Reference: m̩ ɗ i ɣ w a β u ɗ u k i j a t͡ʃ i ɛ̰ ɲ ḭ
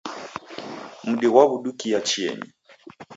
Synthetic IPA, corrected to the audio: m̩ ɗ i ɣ w a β u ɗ u k i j a t͡ʃ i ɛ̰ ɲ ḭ